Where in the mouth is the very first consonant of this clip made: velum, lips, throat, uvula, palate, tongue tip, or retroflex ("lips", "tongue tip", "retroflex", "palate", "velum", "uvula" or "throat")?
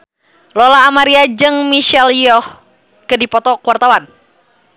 tongue tip